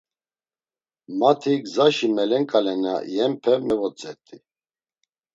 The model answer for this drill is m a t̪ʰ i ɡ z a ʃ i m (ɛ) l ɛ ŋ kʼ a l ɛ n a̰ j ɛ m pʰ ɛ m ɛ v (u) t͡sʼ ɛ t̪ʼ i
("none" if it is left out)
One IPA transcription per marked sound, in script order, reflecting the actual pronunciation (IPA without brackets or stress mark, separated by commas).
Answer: ɛ, ɔ